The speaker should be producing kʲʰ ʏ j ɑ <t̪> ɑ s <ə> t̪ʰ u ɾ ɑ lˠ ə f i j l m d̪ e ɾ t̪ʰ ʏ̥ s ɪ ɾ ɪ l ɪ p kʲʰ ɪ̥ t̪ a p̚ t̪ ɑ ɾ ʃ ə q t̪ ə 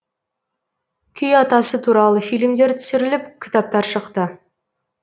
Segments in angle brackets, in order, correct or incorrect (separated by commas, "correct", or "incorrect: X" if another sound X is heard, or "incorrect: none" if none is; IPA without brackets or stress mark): correct, correct